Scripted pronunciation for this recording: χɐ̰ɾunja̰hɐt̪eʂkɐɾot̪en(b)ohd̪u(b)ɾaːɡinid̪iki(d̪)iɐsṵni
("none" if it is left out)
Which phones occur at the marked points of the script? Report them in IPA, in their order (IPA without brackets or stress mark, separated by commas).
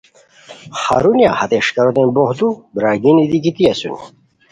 b, b, t̪